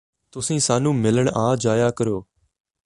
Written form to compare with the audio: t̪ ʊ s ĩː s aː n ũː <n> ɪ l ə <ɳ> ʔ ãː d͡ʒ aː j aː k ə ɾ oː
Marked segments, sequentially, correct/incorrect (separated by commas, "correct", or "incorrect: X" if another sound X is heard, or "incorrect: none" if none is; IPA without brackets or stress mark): incorrect: m, correct